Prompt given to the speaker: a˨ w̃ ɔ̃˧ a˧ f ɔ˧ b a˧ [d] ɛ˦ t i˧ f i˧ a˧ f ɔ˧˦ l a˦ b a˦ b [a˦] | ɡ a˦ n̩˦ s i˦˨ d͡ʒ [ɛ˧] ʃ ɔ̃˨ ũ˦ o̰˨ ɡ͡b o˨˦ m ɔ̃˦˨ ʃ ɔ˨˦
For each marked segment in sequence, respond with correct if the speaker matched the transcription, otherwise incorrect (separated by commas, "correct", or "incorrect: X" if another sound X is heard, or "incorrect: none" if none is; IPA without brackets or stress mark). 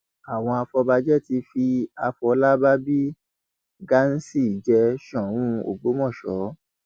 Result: incorrect: d͡ʒ, incorrect: i˦, correct